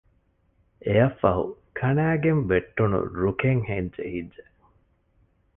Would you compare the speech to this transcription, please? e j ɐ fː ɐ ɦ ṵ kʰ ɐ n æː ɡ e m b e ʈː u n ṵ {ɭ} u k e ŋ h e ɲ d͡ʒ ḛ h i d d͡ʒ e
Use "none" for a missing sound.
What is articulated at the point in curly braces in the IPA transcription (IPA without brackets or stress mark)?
ɾ